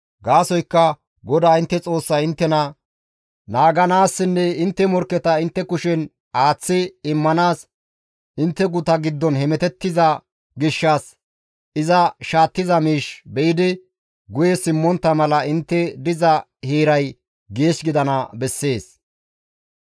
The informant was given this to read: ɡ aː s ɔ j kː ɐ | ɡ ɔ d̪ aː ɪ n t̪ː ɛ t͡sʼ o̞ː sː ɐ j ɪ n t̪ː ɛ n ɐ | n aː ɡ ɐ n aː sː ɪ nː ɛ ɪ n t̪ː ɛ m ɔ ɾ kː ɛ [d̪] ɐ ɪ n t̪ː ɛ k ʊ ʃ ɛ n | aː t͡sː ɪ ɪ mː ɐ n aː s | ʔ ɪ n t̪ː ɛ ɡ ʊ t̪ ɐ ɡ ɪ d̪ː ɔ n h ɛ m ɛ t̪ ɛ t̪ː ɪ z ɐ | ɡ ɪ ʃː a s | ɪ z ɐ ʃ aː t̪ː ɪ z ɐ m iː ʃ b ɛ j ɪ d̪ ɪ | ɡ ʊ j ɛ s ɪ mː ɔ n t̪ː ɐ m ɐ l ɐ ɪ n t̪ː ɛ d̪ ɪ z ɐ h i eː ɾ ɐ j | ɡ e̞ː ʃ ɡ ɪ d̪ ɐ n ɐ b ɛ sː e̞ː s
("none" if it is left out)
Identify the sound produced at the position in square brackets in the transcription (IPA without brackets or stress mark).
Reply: t̪